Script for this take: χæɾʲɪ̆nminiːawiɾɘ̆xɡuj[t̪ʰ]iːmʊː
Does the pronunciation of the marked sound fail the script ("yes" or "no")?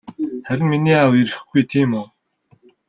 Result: no